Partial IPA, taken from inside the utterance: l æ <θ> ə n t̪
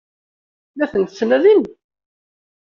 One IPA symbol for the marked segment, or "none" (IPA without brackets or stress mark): θ